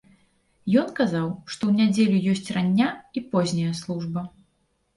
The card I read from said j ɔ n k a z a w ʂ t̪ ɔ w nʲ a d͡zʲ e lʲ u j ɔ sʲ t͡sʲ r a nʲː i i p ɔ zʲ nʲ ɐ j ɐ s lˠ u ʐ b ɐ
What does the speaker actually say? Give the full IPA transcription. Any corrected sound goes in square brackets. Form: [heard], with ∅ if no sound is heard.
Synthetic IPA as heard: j ɔ n k a z a w ʂ t̪ ɔ w nʲ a d͡zʲ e lʲ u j ɔ sʲ t͡sʲ r a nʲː [a] i p ɔ zʲ nʲ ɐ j ɐ s lˠ u ʐ b ɐ